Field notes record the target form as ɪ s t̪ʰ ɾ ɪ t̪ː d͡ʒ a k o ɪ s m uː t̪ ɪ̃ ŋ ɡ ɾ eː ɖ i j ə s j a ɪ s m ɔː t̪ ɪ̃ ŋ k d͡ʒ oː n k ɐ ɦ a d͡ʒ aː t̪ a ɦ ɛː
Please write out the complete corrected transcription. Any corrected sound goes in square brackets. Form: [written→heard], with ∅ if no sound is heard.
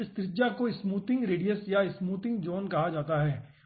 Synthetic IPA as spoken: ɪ s [t̪ʰ→t̪] ɾ ɪ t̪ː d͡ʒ a k o ɪ s m uː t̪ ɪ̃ ŋ ɡ ɾ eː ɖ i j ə s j a ɪ s m [ɔː→uː] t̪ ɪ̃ ŋ [k→ɡ] d͡ʒ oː n k ɐ ɦ a d͡ʒ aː t̪ a ɦ ɛː